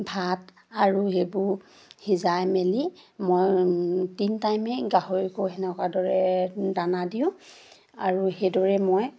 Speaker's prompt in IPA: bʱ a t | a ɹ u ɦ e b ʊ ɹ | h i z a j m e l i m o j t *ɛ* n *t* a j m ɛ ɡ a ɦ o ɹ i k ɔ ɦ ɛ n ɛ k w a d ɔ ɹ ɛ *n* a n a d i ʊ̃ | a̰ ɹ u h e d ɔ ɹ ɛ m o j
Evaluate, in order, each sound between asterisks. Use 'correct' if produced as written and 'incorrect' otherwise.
incorrect: i, correct, incorrect: d

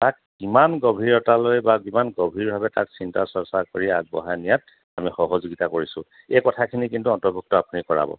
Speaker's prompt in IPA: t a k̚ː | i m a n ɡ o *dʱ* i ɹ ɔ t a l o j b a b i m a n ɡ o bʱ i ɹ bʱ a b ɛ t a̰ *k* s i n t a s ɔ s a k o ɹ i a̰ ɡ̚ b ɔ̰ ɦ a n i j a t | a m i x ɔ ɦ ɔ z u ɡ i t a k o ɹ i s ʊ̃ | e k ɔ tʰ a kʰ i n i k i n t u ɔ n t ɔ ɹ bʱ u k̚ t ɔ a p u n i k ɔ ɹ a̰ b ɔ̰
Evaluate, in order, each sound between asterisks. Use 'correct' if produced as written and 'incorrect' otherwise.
incorrect: bʱ, correct

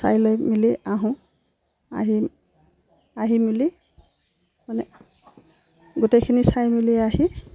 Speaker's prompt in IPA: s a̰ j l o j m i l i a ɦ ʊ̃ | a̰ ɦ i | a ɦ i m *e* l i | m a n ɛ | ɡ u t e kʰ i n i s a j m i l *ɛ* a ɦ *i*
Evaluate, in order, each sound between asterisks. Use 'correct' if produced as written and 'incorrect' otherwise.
incorrect: i, incorrect: i, correct

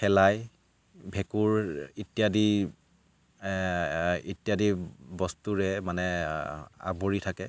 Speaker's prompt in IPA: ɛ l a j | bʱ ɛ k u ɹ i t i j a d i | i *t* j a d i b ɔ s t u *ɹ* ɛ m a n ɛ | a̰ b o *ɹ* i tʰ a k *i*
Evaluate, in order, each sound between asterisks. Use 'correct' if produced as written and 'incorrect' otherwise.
correct, correct, correct, incorrect: ɛ

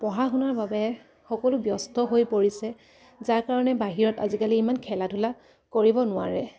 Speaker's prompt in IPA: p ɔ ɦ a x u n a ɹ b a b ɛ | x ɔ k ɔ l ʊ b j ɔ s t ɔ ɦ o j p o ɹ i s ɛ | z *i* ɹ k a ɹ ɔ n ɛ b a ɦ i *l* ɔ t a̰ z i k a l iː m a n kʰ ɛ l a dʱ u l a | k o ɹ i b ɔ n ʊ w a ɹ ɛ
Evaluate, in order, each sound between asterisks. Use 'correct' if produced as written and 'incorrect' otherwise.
incorrect: a, incorrect: ɹ

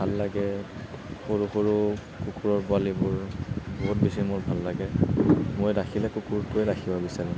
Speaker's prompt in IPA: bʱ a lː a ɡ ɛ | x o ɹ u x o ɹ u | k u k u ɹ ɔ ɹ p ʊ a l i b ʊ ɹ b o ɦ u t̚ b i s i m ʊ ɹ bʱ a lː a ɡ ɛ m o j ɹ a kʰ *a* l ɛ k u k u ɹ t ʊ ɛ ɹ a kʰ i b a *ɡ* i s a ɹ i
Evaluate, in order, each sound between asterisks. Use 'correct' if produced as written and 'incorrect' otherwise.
incorrect: i, incorrect: b

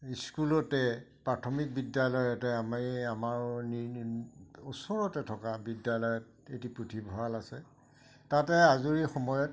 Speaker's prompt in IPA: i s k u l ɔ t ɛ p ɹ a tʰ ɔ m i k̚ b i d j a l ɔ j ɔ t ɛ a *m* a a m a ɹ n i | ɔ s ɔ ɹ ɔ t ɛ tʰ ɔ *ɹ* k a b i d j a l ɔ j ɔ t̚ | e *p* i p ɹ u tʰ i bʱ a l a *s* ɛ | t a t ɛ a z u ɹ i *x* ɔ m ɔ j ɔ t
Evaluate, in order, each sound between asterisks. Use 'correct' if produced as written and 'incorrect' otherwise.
correct, incorrect: none, incorrect: t, correct, correct

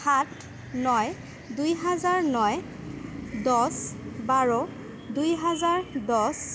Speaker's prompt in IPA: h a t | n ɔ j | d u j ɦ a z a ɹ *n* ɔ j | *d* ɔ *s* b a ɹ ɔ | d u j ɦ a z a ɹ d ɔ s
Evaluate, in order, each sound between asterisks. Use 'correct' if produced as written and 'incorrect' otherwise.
correct, correct, correct

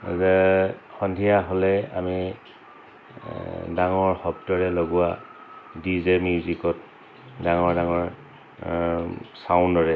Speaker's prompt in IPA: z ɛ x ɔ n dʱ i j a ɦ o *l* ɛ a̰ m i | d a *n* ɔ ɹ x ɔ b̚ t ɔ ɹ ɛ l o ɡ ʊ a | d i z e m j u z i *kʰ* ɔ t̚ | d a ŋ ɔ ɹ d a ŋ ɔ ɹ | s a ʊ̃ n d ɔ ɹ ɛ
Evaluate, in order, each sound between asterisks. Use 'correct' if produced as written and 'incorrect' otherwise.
correct, incorrect: ŋ, incorrect: k

